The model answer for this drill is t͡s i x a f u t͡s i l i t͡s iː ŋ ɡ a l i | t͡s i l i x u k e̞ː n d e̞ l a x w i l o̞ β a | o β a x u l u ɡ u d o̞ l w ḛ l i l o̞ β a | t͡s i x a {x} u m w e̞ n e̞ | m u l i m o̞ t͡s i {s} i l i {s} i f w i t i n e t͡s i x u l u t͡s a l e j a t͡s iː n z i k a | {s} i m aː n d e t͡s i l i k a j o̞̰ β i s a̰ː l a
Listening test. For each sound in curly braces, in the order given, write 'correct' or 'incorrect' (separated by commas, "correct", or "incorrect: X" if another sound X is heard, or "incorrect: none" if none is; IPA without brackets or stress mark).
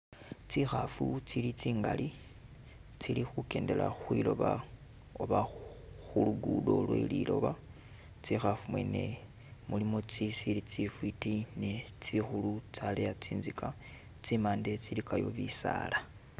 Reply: incorrect: f, correct, incorrect: t͡s, incorrect: t͡s